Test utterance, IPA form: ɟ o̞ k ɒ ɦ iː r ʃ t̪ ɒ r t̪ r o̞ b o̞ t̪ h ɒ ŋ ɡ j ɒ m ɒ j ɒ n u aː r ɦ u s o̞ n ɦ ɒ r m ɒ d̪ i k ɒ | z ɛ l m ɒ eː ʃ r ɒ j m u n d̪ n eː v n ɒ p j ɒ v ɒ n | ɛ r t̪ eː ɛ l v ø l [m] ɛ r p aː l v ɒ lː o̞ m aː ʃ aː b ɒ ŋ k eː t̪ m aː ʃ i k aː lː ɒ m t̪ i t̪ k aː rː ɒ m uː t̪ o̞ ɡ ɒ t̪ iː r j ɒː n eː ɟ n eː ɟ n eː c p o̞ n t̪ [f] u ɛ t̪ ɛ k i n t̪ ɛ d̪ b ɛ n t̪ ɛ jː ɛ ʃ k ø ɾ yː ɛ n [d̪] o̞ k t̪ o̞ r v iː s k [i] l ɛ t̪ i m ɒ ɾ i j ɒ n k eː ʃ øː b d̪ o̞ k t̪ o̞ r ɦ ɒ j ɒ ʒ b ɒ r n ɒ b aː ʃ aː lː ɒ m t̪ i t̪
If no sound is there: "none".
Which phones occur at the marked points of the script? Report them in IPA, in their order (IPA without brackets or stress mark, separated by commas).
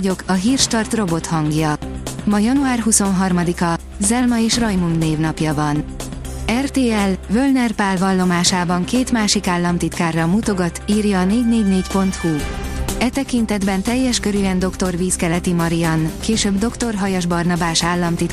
n, h, d̪, ɛ